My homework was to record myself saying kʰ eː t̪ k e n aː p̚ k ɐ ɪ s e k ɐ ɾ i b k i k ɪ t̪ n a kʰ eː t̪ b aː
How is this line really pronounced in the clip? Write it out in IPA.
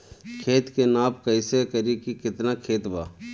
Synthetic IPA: kʰ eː t̪ k e n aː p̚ k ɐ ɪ s e k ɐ ɾ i k i k ɪ t̪ n a kʰ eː t̪ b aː